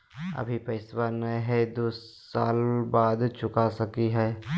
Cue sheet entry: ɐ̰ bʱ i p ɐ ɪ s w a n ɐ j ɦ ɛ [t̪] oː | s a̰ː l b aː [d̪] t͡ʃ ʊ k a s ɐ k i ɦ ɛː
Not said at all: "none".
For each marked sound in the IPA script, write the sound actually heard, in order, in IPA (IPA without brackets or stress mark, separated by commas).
d̪, d̪